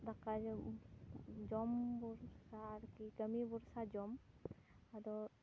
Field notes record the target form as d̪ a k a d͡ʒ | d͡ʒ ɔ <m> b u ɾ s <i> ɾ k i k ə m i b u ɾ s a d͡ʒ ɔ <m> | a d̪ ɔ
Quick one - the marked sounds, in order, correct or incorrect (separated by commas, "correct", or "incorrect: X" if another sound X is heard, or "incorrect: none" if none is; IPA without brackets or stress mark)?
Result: correct, incorrect: a, correct